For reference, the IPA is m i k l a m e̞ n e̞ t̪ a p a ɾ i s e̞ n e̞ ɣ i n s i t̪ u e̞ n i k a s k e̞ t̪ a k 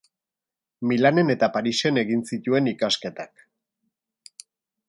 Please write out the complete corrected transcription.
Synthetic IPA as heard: m i l a n e̞ n e̞ t̪ a p a ɾ i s e̞ n e̞ ɣ i n s i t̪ u e̞ n i k a s k e̞ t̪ a k